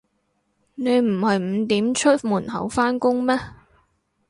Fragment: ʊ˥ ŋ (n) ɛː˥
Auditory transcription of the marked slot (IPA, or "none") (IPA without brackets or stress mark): m